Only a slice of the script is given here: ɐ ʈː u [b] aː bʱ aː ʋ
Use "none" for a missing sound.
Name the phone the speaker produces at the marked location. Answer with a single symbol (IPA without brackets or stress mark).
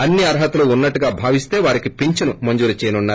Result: ɡ